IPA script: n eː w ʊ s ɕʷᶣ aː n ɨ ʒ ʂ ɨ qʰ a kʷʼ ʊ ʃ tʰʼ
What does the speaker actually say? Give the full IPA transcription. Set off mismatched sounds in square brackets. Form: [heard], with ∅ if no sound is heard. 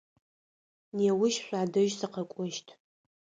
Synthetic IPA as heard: n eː w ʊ [ʃ] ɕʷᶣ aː [d] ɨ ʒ [s] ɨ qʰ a kʷʼ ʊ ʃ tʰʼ

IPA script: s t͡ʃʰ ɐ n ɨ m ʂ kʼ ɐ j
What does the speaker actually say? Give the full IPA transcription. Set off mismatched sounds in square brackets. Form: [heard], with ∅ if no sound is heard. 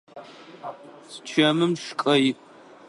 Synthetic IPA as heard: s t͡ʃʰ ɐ [m] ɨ m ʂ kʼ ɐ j

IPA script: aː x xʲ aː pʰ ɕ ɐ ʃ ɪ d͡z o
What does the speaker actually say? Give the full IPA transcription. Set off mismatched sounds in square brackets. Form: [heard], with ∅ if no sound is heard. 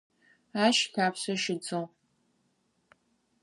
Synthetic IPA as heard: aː [ʃ] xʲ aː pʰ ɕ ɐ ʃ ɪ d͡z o

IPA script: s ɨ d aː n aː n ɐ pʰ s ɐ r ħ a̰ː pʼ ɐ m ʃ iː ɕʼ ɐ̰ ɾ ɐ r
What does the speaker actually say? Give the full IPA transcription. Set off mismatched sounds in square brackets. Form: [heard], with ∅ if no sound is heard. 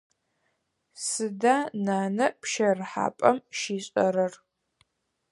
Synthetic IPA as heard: s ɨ d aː n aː n ɐ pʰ [ʃ] ɐ r ħ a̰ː pʼ ɐ m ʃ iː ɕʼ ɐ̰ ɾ ɐ r

